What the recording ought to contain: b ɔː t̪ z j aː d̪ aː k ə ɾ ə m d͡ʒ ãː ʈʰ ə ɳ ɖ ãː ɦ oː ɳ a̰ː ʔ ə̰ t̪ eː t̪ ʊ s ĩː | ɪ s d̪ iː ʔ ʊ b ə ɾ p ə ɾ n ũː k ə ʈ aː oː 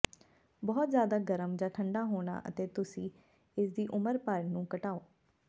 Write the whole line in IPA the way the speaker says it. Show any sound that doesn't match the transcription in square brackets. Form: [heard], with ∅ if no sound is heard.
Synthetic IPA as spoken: b ɔː t̪ z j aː d̪ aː [ɡ] ə ɾ ə m d͡ʒ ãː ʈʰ ə ɳ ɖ [aː] ɦ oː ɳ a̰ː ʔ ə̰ t̪ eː t̪ ʊ s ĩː | ɪ s d̪ iː ʔ ʊ [m] ə ɾ p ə ɾ n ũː k ə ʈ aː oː